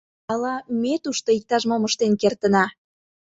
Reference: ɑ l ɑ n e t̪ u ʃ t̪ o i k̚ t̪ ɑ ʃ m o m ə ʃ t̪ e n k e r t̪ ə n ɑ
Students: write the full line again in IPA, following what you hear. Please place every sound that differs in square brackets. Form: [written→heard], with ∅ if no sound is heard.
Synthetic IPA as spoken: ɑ l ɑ [n→m] e t̪ u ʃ t̪ o i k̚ t̪ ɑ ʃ m o m ə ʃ t̪ e n k e r t̪ ə n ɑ